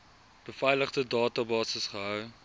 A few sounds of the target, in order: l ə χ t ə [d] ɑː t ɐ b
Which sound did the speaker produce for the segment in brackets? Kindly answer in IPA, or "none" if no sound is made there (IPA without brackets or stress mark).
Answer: d